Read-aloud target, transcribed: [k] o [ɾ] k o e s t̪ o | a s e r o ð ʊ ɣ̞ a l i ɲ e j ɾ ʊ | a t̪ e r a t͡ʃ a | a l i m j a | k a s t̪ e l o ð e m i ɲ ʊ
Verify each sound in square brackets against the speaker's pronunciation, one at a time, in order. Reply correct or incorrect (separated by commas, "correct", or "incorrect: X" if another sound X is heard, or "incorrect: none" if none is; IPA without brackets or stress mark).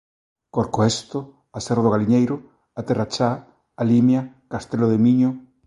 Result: correct, correct